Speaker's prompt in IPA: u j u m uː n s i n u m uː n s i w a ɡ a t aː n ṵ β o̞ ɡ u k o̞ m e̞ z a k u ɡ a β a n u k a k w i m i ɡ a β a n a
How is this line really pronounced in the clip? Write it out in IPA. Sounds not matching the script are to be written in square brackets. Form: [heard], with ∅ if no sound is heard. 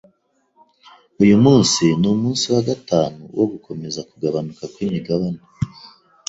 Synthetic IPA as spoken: u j u m uː n s i n u m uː n s i w a ɡ a t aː n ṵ [w] o̞ ɡ u k o̞ m e̞ z a k u ɡ a β a n u k a k w i m i ɡ a β a n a